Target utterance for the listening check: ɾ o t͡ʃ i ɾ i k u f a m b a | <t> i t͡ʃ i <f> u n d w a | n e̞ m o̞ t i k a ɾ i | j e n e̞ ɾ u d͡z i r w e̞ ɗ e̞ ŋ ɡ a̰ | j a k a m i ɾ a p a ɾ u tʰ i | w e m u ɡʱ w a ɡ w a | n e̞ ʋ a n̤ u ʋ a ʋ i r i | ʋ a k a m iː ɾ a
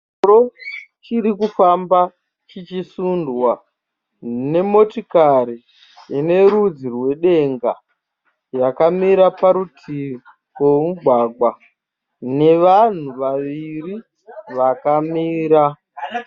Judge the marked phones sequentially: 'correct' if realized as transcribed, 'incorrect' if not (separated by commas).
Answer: incorrect, incorrect